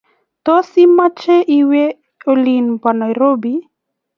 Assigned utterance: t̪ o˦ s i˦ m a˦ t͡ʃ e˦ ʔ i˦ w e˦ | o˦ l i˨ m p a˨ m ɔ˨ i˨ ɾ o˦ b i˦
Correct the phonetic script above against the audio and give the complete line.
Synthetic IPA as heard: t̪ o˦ s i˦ m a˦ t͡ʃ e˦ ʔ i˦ w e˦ | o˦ l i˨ n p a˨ n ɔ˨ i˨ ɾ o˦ b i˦